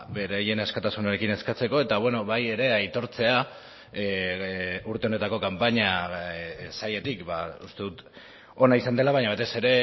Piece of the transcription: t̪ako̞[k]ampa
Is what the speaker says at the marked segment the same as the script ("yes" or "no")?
yes